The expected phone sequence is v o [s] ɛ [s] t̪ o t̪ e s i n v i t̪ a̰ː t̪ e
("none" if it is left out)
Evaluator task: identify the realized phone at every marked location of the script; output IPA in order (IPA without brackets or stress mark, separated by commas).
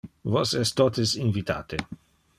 s, s